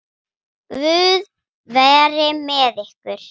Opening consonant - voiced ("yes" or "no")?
yes